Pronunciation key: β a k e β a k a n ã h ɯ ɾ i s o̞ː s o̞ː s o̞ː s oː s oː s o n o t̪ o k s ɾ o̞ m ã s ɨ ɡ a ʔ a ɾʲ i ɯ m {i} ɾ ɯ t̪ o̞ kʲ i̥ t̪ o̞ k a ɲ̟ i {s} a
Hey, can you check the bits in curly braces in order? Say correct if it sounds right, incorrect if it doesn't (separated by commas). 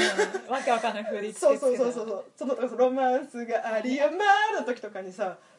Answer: incorrect, correct